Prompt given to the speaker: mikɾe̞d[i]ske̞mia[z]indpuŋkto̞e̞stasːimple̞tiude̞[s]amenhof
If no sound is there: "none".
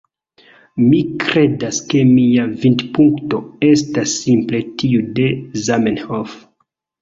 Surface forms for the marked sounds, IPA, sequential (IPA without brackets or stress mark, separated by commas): a, v, z